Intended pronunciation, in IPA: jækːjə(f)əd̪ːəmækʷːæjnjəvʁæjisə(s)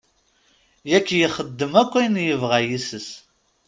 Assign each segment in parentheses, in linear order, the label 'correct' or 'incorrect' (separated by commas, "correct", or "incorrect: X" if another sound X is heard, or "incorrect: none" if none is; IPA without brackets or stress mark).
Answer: incorrect: χ, correct